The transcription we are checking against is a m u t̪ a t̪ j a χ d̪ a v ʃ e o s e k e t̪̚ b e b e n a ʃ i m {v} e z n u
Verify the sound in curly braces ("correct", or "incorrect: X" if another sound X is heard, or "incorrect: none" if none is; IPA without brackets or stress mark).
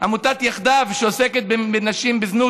incorrect: b